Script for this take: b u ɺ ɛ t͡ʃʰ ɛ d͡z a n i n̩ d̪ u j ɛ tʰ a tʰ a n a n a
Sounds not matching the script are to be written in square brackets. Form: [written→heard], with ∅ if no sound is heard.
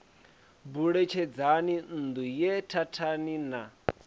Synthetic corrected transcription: b u ɺ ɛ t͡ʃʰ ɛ d͡z a n i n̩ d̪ u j ɛ tʰ a tʰ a n [a→i] n a